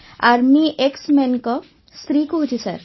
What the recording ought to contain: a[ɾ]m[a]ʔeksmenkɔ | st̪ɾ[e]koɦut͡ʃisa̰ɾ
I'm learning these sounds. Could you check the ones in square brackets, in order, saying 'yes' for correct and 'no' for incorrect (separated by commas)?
yes, no, no